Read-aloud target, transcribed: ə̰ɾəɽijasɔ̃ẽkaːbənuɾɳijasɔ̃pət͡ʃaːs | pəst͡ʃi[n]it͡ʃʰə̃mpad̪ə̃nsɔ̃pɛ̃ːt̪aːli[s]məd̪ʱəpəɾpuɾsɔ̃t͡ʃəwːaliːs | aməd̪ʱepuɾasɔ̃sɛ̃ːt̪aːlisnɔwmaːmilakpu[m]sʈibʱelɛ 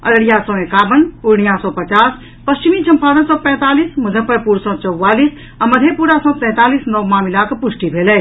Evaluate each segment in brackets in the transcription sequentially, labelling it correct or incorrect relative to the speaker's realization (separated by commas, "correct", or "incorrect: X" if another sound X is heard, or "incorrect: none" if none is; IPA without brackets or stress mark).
incorrect: m, correct, incorrect: none